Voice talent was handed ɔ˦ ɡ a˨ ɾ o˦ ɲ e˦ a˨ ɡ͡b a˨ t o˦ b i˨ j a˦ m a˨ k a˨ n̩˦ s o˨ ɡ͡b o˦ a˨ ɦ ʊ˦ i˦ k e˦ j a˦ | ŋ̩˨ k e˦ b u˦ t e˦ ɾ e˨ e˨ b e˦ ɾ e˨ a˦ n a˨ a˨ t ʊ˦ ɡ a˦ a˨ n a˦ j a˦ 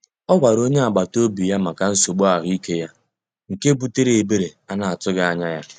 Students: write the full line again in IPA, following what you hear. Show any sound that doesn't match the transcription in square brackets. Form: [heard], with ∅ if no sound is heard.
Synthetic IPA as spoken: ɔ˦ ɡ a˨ ɾ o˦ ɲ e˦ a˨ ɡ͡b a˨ t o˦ b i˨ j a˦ m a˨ k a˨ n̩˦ s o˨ ɡ͡b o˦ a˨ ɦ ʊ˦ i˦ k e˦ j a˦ | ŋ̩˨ k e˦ b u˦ t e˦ ɾ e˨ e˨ b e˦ ɾ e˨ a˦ n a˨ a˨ t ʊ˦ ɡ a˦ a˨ [ɲ] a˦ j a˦